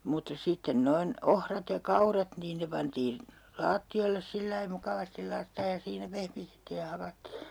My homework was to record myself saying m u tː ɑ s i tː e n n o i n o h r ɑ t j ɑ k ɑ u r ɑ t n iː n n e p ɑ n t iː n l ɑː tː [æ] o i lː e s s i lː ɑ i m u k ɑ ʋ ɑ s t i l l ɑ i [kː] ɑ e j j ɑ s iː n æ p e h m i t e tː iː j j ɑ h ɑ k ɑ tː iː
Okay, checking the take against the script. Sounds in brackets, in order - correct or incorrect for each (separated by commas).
incorrect, incorrect